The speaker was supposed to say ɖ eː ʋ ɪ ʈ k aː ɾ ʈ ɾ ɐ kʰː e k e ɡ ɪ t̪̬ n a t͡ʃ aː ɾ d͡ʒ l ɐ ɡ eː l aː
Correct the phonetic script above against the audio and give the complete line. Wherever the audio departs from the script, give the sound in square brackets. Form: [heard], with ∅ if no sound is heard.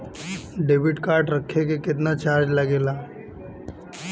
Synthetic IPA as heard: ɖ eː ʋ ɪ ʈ k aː ɾ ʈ ɾ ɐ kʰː e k e [k] ɪ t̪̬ n a t͡ʃ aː ɾ d͡ʒ l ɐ ɡ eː l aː